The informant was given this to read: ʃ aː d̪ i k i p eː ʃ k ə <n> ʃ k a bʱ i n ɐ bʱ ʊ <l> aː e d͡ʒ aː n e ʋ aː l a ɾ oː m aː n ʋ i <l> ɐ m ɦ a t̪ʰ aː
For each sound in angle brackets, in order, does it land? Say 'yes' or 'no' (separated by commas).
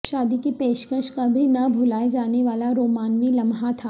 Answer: no, yes, yes